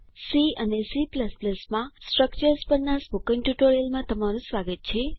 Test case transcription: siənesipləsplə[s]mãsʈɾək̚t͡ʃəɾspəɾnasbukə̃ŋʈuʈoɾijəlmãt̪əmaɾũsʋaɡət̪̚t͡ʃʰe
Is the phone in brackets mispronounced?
no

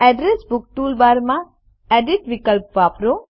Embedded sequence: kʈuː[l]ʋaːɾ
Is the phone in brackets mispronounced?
no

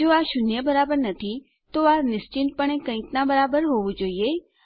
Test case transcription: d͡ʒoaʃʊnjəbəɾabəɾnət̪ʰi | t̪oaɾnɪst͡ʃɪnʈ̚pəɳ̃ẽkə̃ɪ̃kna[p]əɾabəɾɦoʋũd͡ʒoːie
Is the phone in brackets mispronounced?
yes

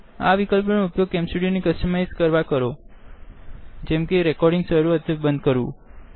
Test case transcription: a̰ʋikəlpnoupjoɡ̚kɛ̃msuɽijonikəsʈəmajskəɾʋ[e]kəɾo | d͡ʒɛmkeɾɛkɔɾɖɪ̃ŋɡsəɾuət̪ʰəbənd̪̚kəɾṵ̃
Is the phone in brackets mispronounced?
yes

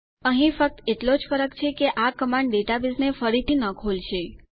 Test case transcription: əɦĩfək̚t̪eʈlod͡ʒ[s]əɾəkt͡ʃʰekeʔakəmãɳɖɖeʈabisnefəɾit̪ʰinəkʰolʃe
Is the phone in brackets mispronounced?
yes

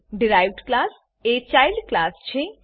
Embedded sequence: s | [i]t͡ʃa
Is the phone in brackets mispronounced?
yes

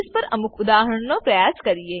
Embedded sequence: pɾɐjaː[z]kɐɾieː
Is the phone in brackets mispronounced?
yes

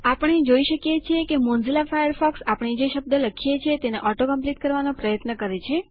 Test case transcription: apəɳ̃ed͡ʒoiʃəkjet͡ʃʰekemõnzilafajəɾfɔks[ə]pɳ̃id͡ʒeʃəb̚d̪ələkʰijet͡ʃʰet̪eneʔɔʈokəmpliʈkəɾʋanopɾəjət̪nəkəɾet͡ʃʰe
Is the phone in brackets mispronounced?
yes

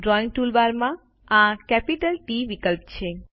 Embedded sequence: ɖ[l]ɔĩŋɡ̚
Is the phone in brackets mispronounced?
yes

